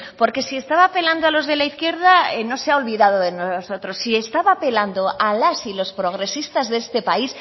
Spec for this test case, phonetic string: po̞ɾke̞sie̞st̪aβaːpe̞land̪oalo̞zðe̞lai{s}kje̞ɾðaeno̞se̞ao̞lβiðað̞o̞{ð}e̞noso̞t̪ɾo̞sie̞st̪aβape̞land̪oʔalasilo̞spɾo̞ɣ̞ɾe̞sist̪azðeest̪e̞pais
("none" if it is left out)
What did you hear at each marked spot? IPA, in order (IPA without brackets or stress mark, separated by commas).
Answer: θ, ð